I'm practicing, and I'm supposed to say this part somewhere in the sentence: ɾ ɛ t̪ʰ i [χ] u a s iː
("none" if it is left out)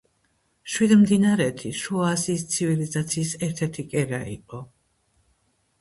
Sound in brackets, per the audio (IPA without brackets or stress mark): ʃ